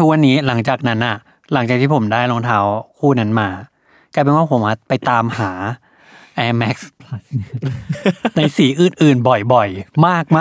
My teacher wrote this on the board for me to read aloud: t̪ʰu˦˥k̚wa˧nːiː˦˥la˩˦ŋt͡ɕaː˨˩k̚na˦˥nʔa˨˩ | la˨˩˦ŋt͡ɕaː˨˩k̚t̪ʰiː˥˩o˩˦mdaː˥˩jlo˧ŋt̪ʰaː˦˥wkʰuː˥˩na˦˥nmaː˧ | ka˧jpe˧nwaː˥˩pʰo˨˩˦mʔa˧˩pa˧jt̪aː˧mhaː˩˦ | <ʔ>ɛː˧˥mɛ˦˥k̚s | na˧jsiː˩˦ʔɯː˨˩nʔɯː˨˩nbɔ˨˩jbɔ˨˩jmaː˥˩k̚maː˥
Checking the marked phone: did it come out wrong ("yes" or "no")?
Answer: no